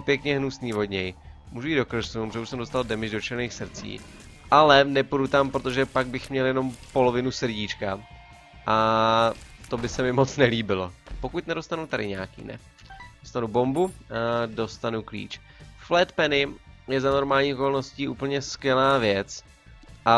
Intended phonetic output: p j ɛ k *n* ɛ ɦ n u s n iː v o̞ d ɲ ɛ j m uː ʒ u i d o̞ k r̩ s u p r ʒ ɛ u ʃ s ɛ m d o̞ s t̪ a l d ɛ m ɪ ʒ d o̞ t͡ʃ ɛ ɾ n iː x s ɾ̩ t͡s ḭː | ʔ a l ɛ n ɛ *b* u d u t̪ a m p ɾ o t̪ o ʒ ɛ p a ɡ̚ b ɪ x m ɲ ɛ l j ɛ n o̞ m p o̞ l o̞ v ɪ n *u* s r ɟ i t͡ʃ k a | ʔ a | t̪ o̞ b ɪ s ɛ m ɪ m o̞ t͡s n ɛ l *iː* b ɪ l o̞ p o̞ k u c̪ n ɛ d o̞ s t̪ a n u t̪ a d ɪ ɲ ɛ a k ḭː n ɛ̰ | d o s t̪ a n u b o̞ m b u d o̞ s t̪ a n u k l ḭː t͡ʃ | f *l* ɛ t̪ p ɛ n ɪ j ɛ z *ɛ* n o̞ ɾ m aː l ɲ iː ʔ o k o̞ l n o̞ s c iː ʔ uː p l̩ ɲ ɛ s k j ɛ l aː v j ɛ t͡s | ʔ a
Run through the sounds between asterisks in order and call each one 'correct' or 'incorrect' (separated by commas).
incorrect, incorrect, correct, correct, correct, incorrect